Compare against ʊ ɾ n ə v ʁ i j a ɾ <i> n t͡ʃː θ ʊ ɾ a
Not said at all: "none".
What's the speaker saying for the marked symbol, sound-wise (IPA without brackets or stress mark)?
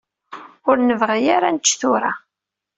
a